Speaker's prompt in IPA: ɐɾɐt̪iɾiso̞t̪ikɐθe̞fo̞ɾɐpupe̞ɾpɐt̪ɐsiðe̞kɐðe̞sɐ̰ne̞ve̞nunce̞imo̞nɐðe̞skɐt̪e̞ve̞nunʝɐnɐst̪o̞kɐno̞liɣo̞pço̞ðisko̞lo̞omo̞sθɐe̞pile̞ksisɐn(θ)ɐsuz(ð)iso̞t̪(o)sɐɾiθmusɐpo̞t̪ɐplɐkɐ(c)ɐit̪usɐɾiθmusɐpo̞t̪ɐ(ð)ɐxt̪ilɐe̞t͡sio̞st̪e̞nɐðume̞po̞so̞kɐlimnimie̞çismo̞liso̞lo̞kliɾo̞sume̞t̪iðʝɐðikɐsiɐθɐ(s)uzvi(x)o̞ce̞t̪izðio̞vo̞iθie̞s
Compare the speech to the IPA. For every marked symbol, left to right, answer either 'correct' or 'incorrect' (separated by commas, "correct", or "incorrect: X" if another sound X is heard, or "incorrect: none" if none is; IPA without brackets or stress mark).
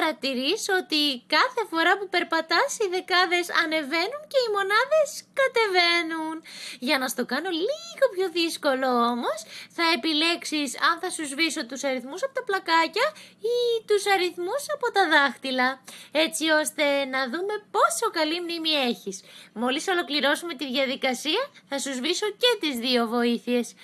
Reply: correct, incorrect: v, incorrect: u, correct, correct, correct, incorrect: s